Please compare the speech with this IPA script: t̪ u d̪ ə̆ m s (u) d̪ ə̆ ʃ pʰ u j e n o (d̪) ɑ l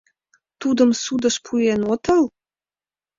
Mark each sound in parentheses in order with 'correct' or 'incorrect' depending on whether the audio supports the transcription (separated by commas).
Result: correct, incorrect